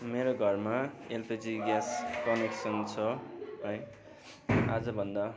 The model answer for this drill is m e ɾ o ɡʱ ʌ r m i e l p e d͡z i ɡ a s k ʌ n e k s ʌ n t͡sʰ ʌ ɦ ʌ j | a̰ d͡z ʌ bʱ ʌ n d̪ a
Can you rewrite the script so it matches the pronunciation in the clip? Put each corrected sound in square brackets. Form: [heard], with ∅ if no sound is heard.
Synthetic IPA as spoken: m e ɾ o ɡʱ ʌ r m [a] e l p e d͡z i ɡ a s k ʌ n e k s ʌ n t͡sʰ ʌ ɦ ʌ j | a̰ d͡z ʌ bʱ ʌ n d̪ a